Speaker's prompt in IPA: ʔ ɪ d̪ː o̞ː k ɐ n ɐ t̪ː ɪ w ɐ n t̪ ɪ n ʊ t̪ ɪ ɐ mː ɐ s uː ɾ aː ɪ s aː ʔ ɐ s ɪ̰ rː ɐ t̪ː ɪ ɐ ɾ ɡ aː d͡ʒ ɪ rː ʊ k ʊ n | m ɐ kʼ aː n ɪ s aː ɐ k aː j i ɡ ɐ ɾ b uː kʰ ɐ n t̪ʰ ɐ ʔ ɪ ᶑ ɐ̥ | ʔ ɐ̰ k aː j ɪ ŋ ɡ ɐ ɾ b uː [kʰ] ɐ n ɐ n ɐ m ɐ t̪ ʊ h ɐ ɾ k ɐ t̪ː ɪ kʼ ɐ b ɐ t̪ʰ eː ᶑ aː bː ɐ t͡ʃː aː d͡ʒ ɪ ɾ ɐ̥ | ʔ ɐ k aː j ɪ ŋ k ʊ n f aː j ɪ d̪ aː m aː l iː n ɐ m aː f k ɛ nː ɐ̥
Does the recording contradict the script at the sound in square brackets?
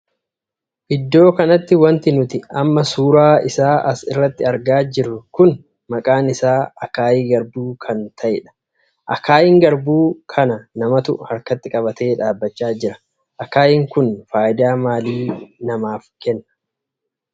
no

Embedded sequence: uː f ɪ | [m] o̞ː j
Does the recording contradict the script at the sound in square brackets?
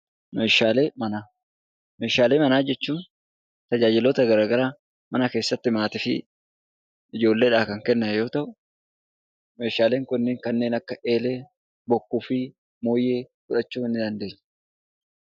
no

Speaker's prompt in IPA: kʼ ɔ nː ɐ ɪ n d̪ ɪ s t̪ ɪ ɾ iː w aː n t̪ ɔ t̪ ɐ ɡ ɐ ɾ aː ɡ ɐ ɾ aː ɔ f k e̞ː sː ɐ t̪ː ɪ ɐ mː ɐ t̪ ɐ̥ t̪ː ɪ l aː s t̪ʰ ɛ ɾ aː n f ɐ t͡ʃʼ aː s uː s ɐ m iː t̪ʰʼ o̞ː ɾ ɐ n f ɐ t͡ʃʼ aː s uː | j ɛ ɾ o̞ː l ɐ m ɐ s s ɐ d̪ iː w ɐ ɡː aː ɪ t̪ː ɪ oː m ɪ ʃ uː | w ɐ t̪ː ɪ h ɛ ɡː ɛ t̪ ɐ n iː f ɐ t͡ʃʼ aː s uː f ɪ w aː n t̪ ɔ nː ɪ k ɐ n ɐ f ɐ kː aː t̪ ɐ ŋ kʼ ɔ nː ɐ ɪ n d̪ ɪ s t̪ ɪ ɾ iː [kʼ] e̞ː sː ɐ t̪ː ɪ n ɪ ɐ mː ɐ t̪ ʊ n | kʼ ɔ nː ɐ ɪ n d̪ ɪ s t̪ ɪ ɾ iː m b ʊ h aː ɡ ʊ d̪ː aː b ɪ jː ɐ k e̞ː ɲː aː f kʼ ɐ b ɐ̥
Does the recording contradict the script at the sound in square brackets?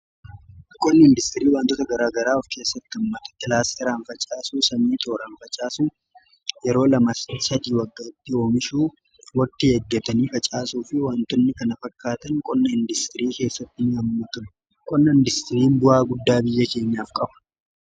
yes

